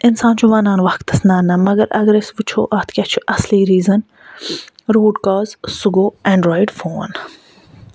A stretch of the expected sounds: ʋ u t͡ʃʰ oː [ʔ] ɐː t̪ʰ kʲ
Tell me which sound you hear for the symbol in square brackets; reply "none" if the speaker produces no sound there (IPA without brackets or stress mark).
ʔ